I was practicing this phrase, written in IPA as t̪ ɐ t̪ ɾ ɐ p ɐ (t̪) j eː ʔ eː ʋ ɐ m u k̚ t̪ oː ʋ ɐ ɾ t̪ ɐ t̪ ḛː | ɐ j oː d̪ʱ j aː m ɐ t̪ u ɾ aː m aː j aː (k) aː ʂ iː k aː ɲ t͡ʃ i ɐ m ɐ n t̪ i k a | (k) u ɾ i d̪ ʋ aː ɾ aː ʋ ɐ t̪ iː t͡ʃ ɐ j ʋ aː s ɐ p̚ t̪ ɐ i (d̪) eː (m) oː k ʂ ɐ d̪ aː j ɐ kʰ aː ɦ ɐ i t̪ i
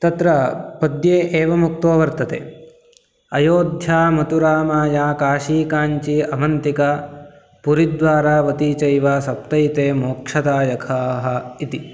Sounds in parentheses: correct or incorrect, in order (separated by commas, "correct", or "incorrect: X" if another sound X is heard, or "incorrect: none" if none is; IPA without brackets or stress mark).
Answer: incorrect: d̪, correct, incorrect: p, incorrect: t̪, correct